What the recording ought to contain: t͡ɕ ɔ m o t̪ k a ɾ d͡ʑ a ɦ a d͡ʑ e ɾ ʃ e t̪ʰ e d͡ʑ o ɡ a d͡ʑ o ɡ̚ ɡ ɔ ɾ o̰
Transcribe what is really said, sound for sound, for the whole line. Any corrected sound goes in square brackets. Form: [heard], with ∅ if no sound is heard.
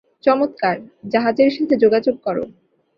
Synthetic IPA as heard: t͡ɕ ɔ m o t̪ k a ɾ d͡ʑ a ɦ a d͡ʑ e ɾ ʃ [a] t̪ʰ e d͡ʑ o ɡ a d͡ʑ o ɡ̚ [k] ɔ ɾ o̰